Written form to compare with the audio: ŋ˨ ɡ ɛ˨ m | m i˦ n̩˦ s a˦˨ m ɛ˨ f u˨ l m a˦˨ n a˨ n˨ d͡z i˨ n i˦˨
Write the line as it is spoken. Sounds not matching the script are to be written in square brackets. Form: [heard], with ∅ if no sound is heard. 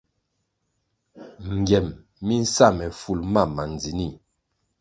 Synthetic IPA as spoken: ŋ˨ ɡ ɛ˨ m | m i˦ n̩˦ s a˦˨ m ɛ˨ f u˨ l m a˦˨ [m] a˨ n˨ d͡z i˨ n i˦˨